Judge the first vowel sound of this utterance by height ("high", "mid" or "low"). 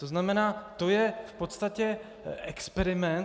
mid